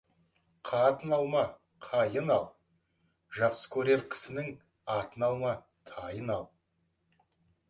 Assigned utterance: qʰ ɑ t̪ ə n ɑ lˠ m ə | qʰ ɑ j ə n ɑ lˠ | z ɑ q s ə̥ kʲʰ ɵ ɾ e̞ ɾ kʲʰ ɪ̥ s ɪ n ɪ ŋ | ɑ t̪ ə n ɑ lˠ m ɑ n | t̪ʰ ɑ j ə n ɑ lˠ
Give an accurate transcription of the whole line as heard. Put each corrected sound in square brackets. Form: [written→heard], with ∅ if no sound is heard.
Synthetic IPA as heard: qʰ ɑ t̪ ə n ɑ lˠ m [ə→ɑ] | qʰ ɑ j ə n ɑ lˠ | [z→ʒ] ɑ q s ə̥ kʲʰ ɵ ɾ e̞ ɾ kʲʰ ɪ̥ s ɪ n ɪ ŋ | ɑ t̪ ə n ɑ lˠ m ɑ [n→∅] | t̪ʰ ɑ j ə n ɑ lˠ